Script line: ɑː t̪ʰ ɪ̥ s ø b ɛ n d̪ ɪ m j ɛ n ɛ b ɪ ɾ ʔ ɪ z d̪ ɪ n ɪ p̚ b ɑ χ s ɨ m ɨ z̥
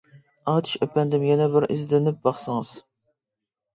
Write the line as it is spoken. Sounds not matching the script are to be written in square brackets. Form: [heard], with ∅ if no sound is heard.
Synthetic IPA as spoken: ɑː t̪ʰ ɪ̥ [ʃ] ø [p] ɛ n d̪ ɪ m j ɛ n ɛ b ɪ ɾ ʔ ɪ z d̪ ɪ n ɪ p̚ b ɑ χ s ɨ [ŋ] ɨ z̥